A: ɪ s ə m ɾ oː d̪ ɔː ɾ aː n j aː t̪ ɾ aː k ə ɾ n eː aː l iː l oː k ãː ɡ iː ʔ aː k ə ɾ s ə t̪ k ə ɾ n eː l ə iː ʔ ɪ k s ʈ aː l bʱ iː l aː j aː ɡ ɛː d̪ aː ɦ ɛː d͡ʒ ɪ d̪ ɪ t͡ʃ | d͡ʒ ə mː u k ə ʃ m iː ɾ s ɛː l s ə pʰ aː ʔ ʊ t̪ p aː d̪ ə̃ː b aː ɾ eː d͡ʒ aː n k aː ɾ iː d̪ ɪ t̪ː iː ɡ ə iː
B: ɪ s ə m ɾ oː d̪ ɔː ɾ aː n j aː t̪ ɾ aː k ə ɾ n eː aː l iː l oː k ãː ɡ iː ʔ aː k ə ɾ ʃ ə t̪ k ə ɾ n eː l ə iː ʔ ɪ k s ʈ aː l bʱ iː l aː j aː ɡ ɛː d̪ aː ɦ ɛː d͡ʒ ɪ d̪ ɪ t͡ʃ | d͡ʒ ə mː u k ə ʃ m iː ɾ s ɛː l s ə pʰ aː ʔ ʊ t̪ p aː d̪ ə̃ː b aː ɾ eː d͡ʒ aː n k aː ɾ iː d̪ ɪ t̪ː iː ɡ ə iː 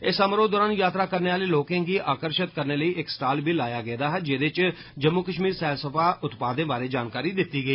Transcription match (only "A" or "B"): B